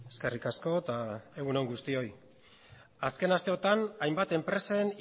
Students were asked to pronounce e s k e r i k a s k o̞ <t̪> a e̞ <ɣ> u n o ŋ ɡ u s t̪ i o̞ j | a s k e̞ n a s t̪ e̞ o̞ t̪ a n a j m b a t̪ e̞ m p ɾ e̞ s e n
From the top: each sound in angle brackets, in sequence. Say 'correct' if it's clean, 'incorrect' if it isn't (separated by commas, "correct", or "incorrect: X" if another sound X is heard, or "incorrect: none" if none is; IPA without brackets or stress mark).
correct, correct